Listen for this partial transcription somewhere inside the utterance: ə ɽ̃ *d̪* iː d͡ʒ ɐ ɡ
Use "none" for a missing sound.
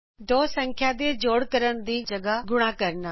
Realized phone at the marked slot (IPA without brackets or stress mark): d̪